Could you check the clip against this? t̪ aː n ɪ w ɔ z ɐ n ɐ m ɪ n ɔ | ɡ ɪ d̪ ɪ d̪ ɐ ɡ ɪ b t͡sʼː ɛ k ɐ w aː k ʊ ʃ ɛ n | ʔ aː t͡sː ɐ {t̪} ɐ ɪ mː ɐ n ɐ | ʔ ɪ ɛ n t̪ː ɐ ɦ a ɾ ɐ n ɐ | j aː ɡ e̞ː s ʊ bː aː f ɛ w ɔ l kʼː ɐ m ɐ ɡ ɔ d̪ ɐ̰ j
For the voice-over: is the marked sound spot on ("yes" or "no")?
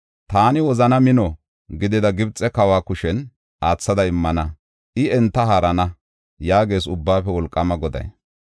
no